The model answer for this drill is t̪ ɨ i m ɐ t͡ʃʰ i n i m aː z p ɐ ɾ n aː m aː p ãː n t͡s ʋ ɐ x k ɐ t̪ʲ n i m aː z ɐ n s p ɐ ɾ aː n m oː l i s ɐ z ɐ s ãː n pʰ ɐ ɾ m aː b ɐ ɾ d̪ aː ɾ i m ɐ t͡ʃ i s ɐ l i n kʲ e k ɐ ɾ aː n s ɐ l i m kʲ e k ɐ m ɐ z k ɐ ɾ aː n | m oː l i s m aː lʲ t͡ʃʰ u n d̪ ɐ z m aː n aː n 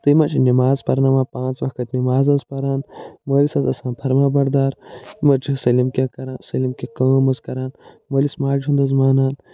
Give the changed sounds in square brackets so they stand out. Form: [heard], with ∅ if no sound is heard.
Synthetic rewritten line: t̪ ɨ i m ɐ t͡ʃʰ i n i m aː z p ɐ ɾ n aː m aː p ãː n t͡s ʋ ɐ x k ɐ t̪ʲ n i m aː z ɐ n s p ɐ ɾ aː n m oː l i s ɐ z ɐ s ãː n pʰ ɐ ɾ m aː b ɐ ɾ d̪ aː ɾ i m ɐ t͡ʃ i s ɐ l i [m] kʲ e k ɐ ɾ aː n s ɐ l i m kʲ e k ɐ m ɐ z k ɐ ɾ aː n | m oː l i s m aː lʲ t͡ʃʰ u n d̪ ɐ z m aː n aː n